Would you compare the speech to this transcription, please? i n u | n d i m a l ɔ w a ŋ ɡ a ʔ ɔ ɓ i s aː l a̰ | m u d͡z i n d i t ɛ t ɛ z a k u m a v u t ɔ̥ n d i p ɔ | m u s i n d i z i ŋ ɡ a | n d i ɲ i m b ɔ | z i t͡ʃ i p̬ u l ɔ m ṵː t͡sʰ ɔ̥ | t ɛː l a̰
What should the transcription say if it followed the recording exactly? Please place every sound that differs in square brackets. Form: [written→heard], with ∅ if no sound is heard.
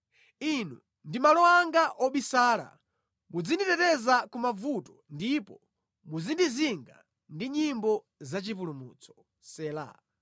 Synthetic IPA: i n u | n d i m a l ɔ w a ŋ ɡ a ʔ ɔ ɓ i s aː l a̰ | m u d͡z i n d i t ɛ t ɛ z a k u m a v u t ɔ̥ n d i p ɔ | m u [s→z] i n d i z i ŋ ɡ a | n d i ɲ i m b ɔ | z [i→a] t͡ʃ i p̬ u l [ɔ→u] m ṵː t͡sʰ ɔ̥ | [t→s] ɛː l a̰